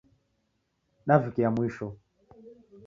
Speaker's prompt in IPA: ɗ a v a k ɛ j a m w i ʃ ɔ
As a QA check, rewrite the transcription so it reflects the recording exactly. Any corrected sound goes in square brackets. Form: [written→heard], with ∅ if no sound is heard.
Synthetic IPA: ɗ a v [a→i] k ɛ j a m w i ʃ ɔ

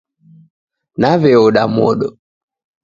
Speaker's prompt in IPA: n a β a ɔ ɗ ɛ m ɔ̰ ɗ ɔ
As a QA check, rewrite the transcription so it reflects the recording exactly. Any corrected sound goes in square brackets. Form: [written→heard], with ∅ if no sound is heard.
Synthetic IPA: n a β [a→ɛ] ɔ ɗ [ɛ→a] m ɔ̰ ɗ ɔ

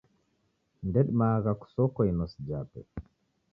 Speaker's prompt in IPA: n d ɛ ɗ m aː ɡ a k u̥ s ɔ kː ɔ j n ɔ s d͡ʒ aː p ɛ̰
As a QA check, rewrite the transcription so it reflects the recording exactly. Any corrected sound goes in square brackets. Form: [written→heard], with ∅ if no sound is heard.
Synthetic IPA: n d ɛ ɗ m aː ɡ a k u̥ s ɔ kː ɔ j n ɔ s d͡ʒ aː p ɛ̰

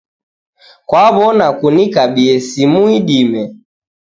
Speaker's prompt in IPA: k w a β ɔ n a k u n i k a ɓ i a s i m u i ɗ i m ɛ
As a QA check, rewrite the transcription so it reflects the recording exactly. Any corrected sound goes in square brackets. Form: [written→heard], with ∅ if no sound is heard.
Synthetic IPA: k w a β ɔ n a k u n i k a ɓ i [a→ɛ] s i m u i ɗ i m ɛ

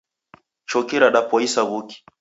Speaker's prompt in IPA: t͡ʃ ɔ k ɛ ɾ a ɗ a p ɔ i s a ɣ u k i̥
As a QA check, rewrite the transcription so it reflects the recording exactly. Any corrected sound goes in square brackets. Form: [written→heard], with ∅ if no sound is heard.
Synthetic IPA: t͡ʃ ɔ k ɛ ɾ a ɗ a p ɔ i s a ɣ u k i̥

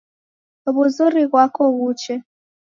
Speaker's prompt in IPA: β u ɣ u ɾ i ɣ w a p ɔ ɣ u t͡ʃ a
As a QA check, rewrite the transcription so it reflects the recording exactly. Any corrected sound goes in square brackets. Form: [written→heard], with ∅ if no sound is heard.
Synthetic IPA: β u [ɣ→z] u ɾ i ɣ w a [p→k] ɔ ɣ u t͡ʃ [a→ɛ]

